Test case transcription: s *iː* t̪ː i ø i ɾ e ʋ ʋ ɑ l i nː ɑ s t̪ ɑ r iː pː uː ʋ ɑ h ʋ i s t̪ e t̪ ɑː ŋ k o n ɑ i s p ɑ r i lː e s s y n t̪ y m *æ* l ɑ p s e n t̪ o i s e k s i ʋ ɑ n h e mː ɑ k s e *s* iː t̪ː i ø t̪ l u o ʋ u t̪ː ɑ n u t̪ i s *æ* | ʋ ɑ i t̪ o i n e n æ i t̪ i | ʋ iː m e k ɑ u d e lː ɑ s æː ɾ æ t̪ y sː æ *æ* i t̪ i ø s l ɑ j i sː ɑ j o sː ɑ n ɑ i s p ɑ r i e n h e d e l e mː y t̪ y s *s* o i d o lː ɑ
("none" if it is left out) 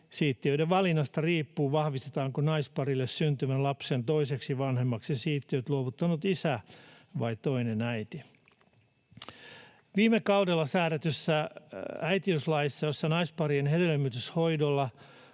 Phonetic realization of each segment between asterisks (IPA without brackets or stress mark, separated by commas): iː, æ, s, æ, æ, h